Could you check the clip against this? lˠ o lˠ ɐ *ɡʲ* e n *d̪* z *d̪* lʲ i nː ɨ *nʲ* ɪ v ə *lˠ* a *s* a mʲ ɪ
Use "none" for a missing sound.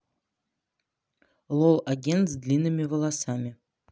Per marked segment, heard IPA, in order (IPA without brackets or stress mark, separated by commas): ɡʲ, t̪, d̪, mʲ, lˠ, s